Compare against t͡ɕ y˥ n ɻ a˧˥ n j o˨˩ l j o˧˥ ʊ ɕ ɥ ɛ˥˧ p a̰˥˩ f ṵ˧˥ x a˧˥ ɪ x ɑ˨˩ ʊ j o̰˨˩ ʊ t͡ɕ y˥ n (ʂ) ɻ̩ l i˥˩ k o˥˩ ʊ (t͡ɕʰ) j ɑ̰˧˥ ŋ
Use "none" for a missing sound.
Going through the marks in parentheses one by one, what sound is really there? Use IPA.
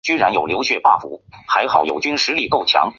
ʂ, t͡ɕʰ

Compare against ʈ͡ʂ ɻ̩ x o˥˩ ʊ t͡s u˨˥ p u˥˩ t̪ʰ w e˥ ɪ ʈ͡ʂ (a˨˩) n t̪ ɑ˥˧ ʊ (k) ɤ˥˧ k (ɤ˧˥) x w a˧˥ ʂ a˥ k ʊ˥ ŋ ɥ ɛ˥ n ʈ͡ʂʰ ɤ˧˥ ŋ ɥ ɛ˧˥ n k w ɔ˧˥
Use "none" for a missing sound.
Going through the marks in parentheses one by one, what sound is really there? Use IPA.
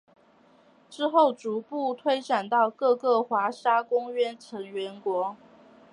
a˨˩, k, ɤ˥˩

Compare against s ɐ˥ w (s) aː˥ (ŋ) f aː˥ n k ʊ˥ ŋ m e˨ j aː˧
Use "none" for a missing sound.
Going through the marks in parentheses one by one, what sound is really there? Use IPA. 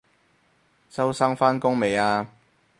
s, ŋ

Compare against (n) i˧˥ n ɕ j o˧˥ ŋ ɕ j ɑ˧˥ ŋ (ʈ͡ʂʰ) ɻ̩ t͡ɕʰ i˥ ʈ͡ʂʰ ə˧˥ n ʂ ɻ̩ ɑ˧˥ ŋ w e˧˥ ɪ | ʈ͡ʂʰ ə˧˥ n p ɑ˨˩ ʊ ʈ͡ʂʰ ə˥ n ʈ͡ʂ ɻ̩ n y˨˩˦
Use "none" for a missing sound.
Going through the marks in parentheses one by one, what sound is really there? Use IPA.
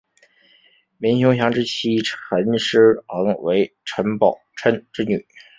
m, ʈ͡ʂ

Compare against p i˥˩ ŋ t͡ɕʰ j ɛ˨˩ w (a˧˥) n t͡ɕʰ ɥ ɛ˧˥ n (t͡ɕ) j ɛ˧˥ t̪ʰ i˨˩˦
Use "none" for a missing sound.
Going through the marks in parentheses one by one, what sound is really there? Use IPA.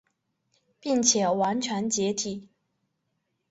a˧˥, t͡ɕ

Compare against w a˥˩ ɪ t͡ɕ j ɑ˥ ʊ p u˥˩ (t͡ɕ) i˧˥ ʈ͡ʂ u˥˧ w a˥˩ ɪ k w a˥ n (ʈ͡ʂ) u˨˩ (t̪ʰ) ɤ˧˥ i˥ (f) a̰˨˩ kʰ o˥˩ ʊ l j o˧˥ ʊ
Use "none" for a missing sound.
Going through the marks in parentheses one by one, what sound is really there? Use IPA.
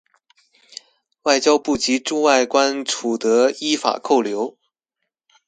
t͡ɕ, ʈ͡ʂʰ, t̪, f

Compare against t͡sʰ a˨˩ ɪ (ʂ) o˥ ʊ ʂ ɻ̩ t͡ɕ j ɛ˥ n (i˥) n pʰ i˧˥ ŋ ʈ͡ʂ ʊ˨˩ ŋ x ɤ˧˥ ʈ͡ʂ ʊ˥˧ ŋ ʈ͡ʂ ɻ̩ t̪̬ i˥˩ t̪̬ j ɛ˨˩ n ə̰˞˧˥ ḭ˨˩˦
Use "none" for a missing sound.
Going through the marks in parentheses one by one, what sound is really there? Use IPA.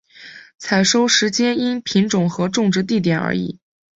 ʂ, i˥

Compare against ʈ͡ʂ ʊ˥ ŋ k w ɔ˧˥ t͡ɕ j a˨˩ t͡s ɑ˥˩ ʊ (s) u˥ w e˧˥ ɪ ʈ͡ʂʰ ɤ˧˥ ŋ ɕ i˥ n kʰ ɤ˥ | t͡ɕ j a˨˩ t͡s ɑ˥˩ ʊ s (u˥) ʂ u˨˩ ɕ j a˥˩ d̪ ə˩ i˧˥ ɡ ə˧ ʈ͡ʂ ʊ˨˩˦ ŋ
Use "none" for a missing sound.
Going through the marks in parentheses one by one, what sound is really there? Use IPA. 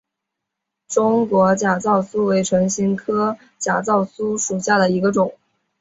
s, u˥

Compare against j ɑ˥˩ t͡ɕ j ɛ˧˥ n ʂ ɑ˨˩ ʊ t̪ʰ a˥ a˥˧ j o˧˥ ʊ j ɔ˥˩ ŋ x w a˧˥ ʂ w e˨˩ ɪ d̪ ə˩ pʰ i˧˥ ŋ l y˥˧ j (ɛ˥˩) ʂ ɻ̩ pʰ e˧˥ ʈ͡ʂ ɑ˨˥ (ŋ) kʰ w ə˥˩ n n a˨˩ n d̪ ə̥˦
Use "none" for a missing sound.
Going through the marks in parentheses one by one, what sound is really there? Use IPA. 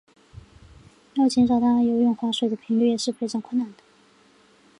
ɛ˨˩, ŋ

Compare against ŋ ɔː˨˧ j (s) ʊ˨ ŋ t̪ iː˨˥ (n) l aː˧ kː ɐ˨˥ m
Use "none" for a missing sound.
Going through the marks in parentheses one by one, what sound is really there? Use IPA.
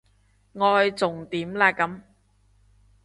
t͡s, m

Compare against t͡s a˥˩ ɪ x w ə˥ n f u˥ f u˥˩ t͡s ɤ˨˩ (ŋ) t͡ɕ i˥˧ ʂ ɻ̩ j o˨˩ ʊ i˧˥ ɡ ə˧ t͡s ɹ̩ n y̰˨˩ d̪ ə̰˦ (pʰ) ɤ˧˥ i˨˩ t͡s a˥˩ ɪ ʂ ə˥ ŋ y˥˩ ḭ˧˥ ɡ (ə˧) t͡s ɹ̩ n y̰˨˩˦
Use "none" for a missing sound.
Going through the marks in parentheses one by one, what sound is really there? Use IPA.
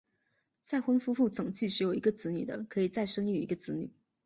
ŋ, kʰ, ə˧

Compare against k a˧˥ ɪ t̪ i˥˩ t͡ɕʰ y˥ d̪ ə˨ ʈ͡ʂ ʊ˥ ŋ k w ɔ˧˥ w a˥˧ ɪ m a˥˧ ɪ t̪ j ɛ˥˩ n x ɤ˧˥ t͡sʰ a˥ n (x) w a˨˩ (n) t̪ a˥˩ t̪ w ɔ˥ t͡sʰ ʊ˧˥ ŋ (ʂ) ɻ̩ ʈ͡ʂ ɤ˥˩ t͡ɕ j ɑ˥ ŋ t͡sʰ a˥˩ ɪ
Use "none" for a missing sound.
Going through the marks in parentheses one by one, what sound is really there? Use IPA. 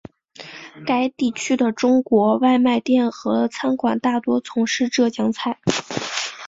k, n, ʂ

